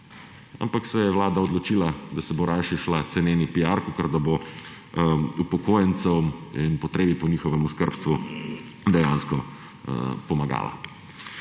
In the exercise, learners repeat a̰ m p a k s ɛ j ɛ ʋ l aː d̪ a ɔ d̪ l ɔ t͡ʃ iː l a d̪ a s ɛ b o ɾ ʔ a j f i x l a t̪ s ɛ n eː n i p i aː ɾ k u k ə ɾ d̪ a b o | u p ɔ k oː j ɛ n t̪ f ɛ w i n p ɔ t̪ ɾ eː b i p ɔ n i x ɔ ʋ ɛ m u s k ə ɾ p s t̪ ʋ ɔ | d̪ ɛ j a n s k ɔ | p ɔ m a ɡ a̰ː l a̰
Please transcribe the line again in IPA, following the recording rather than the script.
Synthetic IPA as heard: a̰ m p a k s ɛ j ɛ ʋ l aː d̪ a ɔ d̪ l ɔ t͡ʃ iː l a d̪ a s ɛ b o ɾ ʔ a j ʃ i ʃ l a t̪ s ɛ n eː n i p i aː ɾ k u k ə ɾ d̪ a b o | u p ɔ k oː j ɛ n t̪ s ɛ w i n p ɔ t̪ ɾ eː b i p ɔ n i x ɔ ʋ ɛ m u s k ə ɾ p s t̪ ʋ u | d̪ ɛ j a n s k ɔ | p ɔ m a ɡ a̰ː l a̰

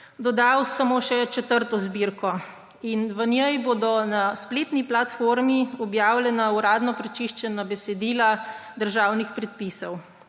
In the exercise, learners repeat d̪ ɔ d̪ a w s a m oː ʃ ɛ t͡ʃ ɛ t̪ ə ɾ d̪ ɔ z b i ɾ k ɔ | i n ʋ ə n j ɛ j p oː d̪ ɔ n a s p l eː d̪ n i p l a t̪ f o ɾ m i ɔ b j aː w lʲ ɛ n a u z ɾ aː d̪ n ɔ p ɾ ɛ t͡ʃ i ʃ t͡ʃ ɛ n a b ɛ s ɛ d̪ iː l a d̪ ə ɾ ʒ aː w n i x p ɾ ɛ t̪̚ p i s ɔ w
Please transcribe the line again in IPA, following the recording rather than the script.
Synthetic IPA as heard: d̪ ɔ d̪ a w s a m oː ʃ ɛ t͡ʃ ɛ t̪ ə ɾ t̪ ɔ z b i ɾ k ɔ | i n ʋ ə n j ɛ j b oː d̪ ɔ n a s p l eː t̪ n i p l a t̪ f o ɾ m i ɔ b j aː w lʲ ɛ n a u ɾ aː d̪ n ɔ p ɾ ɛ t͡ʃ i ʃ t͡ʃ ɛ n a b ɛ s ɛ d̪ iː l a d̪ ə ɾ ʒ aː w n i x p ɾ ɛ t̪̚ p i s ɔ w

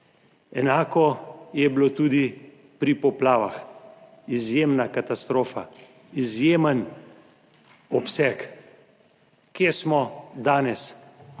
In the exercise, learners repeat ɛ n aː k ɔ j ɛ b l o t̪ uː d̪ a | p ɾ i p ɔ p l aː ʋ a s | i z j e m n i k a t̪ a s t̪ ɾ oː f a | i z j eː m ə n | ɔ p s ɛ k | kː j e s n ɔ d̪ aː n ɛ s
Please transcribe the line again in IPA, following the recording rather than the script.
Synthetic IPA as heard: ɛ n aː k ɔ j ɛ b l o t̪ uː d̪ i | p ɾ i p ɔ p l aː ʋ a x | i z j e m n a k a t̪ a s t̪ ɾ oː f a | i z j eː m ə n | ɔ p s ɛ k | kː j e s m ɔ d̪ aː n ɛ s

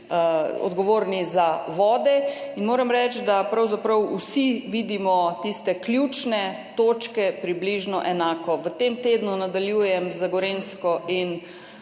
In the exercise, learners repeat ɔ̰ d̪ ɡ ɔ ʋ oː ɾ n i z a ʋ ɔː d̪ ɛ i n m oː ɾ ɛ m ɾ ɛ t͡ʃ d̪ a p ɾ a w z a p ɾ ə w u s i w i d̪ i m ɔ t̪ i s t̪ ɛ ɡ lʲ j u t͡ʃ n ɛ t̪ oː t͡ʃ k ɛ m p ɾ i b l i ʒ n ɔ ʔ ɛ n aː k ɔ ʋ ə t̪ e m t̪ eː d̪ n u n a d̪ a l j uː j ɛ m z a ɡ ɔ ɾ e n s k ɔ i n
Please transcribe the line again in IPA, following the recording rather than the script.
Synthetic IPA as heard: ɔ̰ d̪ ɡ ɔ ʋ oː ɾ n i z a ʋ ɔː d̪ ɛ i n m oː ɾ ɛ m ɾ ɛ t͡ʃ d̪ a p ɾ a w z a p ɾ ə w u s i ʋ i d̪ i m ɔ t̪ i s t̪ ɛ k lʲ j u t͡ʃ n ɛ t̪ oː t͡ʃ k ɛ p ɾ i b l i ʒ n ɔ ʔ ɛ n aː k ɔ ʋ ə t̪ e m t̪ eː d̪ n u n a d̪ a l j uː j ɛ m z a ɡ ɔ ɾ e n s k ɔ i n

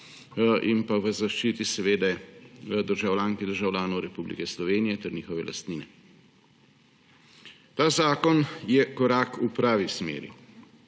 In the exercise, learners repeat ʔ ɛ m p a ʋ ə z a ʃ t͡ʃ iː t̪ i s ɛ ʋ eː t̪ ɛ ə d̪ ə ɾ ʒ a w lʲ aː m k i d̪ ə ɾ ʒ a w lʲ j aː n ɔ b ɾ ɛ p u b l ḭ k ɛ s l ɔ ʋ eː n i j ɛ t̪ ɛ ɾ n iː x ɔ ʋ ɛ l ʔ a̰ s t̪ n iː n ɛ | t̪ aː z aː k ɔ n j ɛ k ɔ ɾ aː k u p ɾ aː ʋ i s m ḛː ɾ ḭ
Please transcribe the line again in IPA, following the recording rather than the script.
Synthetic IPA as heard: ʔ i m p a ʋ ə z a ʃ t͡ʃ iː t̪ i s ɛ ʋ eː d̪ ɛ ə d̪ ə ɾ ʒ a w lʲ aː ŋ k i d̪ ə ɾ ʒ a w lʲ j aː n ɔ w ɾ ɛ p u b l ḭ k ɛ s l ɔ ʋ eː n i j ɛ t̪ ɛ ɾ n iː x ɔ ʋ ɛ l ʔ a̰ s t̪ n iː n ɛ | t̪ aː z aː k ɔ n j ɛ k ɔ ɾ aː k u p ɾ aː ʋ i s m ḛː ɾ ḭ

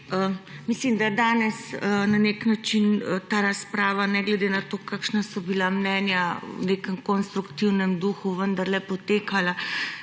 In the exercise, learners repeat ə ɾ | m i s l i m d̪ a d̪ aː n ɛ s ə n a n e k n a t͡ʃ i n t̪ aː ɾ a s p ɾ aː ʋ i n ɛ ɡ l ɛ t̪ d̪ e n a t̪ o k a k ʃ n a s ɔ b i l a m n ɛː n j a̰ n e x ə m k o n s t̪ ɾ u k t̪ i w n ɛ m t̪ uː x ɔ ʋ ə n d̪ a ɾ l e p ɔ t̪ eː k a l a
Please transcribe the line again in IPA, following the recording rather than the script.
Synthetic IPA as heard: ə | m i s l i m d̪ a d̪ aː n ɛ s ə n a n e k n a t͡ʃ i n t̪ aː ɾ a s p ɾ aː ʋ a n ɛ ɡ l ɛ d̪ e n a t̪ o k a k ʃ n a s ɔ b i l a m n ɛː n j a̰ n e k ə m k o n s t̪ ɾ u k t̪ i w n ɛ m d̪ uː x u ʋ ə n d̪ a ɾ l ɛ p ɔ t̪ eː k a l a

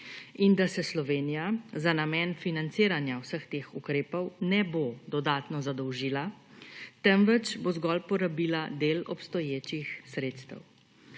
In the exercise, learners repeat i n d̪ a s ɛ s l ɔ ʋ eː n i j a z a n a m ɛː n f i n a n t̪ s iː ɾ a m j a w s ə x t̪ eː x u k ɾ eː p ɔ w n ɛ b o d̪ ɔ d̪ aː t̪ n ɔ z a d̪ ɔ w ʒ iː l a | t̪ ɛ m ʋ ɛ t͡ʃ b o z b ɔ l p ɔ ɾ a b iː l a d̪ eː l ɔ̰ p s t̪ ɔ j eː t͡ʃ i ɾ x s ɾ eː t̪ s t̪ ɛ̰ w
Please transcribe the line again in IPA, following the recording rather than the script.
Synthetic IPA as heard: i n d̪ a s ɛ s l ɔ ʋ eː n i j a z a n a m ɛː n f i n a n t̪ s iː ɾ a n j a w s ə x t̪ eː x u k ɾ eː p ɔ w n ɛ b o d̪ ɔ d̪ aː t̪ n ɔ z a d̪ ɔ w ʒ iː l a | t̪ ɛ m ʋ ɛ t͡ʃ b o z ɡ ɔ l p ɔ ɾ a b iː l a d̪ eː l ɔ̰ p s t̪ ɔ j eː t͡ʃ i x s ɾ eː t̪ s t̪ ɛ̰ w

